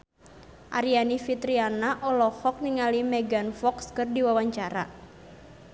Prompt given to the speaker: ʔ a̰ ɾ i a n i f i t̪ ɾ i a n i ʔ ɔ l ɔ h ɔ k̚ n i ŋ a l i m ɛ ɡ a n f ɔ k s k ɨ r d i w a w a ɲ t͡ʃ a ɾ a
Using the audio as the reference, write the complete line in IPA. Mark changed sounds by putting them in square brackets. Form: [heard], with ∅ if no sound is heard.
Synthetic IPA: ʔ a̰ ɾ i a n i f i t̪ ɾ i a n [a] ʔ ɔ l ɔ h ɔ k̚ n i ŋ a l i m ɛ ɡ a n f ɔ k s k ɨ r d i w a w a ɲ t͡ʃ a ɾ a

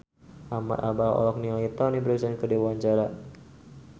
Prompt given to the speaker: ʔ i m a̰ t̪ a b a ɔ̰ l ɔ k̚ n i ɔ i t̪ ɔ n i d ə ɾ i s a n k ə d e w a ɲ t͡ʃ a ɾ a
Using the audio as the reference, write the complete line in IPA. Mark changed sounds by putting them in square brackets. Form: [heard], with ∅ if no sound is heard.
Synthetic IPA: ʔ [a] m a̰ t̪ a b a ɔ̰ l ɔ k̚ n i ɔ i t̪ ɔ n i [b] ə ɾ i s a n k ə d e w a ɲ t͡ʃ a ɾ a

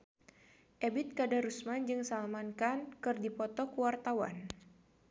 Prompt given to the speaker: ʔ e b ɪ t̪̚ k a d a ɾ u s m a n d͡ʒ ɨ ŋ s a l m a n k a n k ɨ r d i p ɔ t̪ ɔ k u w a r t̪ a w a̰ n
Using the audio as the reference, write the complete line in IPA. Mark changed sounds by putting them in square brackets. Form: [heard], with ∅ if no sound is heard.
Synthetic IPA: ʔ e b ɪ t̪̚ k a d a ɾ u s m a n d͡ʒ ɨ ŋ s a l m a n k a n k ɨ r d i p ɔ t̪ ɔ k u w a r t̪ a w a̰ n

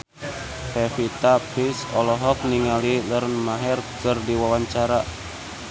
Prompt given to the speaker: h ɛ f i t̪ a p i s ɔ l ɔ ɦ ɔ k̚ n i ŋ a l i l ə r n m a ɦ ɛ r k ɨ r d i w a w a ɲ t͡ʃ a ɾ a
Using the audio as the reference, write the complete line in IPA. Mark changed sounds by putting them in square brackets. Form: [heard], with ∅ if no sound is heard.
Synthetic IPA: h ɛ f i t̪ a p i s ɔ l ɔ ɦ ɔ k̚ n i ŋ a l i l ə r n m a ɦ ɛ r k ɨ r d i w a w a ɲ t͡ʃ a ɾ a

